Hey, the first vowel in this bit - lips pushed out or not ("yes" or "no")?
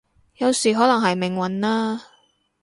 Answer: no